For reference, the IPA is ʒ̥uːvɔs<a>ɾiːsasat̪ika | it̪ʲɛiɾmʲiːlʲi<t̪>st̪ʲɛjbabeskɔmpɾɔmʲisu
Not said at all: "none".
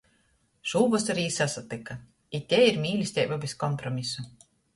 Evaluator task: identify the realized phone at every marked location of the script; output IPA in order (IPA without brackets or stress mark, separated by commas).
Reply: a, none